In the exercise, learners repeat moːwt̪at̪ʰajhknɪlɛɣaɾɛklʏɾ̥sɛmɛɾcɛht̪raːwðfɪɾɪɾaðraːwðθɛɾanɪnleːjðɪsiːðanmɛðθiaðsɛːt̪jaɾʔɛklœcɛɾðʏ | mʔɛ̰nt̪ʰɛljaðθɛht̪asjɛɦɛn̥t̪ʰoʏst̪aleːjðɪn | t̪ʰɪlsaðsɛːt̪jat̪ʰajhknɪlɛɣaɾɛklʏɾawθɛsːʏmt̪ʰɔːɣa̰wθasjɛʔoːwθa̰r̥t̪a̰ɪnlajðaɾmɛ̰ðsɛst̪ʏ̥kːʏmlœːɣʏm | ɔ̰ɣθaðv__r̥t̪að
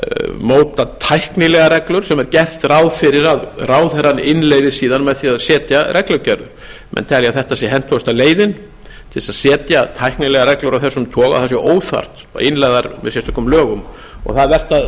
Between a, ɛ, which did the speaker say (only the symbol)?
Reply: ɛ